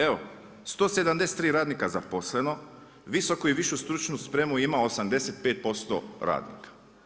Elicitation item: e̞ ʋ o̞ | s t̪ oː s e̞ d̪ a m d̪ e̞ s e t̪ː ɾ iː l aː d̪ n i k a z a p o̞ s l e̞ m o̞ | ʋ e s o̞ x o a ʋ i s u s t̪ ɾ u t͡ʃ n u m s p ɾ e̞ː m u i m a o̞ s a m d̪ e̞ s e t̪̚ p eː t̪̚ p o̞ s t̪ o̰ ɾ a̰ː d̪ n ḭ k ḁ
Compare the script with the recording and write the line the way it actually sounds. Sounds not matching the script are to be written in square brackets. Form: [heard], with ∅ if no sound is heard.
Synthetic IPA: e̞ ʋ o̞ | s t̪ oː s e̞ d̪ a m d̪ e̞ s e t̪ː ɾ iː [ɾ] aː d̪ n i k a z a p o̞ s l e̞ [n] o̞ | ʋ [i] s o̞ [k] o [i] ʋ i [ʃ] u s t̪ ɾ u t͡ʃ n u [∅] s p ɾ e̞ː m u i m a o̞ s a m d̪ e̞ s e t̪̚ p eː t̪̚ p o̞ s t̪ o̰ ɾ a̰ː d̪ n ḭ k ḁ